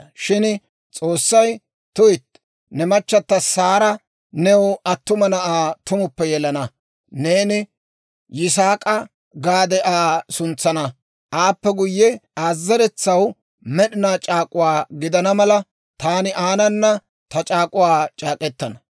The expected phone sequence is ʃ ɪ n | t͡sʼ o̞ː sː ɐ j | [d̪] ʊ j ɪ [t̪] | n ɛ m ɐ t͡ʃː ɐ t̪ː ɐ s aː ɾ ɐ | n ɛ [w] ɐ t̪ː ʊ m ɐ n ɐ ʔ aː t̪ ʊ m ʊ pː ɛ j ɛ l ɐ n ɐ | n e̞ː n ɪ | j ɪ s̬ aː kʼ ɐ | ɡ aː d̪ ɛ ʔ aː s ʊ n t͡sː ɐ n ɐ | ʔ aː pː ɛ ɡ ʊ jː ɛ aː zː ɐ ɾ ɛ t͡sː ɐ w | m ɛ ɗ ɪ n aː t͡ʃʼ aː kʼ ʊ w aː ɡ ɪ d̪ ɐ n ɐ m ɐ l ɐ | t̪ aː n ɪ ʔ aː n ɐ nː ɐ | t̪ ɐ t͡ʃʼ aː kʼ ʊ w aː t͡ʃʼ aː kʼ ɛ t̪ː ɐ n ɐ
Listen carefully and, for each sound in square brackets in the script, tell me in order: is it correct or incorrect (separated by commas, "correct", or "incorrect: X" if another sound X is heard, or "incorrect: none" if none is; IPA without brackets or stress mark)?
incorrect: t̪, correct, correct